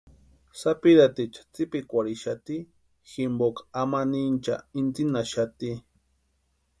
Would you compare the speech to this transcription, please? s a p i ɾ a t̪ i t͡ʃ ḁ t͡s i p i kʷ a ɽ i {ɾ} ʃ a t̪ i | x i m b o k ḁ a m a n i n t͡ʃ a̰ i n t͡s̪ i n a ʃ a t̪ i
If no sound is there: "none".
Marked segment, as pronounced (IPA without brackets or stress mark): none